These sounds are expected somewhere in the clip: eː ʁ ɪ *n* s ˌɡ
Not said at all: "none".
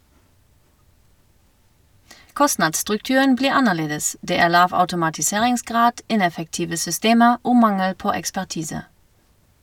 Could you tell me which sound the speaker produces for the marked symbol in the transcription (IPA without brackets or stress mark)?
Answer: ŋ